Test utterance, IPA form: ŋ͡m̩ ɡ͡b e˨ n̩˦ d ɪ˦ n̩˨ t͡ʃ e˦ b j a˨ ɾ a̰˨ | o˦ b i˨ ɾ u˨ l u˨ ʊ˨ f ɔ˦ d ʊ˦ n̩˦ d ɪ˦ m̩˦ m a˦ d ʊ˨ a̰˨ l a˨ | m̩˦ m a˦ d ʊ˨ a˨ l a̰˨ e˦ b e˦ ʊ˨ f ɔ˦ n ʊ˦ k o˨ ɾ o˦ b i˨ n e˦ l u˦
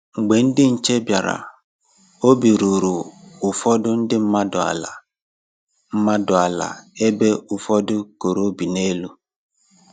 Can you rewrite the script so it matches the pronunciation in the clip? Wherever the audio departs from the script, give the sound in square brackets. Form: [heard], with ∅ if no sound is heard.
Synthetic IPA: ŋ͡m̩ ɡ͡b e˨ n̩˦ d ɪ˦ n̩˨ t͡ʃ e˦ b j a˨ ɾ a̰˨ | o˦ b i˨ ɾ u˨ [ɾ] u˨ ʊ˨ f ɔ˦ d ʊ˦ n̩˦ d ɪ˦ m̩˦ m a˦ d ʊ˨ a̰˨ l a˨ | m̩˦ m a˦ d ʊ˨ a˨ l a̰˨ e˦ b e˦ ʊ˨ f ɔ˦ [d] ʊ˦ k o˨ ɾ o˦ b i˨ n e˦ l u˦